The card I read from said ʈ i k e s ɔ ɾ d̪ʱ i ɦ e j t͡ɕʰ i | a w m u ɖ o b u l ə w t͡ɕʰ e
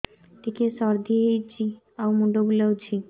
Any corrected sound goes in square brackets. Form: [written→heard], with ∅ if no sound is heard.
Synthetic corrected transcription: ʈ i k e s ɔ ɾ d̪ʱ i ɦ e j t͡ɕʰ i | a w m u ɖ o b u l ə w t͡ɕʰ [e→i]